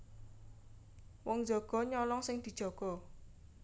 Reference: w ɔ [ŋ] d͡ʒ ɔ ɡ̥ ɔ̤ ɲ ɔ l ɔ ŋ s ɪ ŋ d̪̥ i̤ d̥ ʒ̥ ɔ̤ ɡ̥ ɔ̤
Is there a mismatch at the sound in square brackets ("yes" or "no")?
no